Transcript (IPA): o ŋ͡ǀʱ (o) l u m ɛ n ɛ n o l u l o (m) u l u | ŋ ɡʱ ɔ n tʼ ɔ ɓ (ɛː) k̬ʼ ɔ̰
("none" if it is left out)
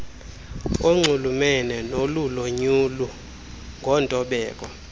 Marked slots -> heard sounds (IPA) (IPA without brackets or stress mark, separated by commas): u, ɲ, ɛː